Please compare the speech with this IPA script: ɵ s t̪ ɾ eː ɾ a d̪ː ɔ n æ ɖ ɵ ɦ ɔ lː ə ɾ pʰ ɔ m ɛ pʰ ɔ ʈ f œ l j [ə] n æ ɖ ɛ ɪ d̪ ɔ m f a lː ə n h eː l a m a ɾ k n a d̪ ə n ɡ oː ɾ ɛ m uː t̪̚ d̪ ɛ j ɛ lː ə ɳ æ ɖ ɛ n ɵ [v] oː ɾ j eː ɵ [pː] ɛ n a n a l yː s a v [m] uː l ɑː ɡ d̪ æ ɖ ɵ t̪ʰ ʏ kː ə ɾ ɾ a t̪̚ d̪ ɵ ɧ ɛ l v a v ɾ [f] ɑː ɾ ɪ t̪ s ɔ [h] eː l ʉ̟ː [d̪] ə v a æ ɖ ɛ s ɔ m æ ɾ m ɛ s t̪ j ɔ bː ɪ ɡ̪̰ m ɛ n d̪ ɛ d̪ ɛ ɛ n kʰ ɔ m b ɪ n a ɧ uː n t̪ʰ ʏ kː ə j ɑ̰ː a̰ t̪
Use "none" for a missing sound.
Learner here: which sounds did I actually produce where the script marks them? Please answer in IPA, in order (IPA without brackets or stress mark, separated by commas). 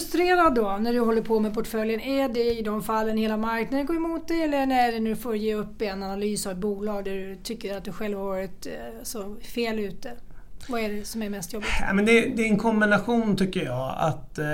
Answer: ə, f, pː, b, v, f, t̪